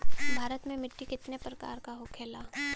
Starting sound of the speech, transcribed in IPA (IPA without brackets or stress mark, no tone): bʱ